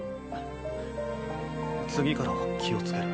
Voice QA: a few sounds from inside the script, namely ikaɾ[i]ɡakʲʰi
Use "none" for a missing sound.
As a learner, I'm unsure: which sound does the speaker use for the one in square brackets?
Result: a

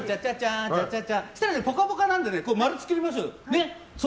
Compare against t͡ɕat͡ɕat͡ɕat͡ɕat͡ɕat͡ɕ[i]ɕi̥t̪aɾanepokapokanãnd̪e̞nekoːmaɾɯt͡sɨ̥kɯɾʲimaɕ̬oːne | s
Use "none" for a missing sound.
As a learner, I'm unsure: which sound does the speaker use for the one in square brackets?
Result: a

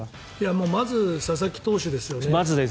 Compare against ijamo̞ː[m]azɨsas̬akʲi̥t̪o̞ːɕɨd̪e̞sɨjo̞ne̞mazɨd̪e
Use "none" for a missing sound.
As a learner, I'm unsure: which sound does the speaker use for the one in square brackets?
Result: m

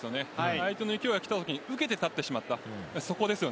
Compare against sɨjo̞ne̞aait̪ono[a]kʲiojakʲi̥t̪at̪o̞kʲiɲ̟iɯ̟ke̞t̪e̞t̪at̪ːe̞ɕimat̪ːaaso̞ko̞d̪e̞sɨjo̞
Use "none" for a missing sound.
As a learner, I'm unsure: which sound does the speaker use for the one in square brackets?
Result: i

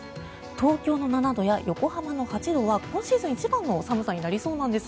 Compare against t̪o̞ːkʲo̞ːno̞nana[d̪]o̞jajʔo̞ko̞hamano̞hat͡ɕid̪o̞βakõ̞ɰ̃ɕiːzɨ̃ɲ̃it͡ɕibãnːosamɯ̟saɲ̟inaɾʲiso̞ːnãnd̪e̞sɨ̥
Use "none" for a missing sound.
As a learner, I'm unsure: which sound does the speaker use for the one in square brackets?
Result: d̪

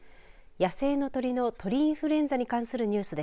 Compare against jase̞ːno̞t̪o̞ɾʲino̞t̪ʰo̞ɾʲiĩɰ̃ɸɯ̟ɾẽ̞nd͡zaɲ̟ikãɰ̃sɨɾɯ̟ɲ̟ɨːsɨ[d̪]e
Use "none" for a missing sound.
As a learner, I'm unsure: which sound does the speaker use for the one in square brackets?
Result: d̪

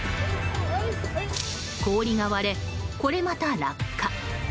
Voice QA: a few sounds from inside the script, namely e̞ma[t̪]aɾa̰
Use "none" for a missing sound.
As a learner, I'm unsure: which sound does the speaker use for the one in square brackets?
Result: t̪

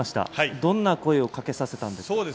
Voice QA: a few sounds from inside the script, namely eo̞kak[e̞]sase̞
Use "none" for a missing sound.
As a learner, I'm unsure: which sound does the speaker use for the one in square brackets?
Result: e̞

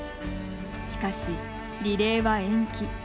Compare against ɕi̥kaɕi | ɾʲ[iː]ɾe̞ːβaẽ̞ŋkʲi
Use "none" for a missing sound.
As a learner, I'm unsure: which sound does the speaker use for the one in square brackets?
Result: i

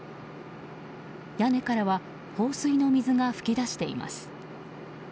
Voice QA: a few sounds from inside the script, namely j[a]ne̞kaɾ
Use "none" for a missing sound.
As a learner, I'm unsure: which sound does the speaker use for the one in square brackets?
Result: a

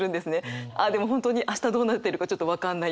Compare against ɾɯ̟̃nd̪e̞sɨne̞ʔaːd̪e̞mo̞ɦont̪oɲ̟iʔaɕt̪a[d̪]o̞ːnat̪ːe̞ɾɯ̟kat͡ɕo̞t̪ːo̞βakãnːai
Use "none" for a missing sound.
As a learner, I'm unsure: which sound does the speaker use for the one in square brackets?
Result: d̪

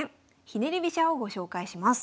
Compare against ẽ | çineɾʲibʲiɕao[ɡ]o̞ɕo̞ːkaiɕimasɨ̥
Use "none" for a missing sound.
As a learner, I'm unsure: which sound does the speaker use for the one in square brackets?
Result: ɡ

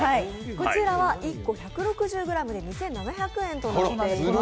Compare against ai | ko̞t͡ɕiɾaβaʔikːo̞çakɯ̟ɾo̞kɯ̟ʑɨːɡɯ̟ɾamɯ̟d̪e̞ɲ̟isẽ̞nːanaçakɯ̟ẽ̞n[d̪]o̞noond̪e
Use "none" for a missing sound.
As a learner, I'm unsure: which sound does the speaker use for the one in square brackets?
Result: t̪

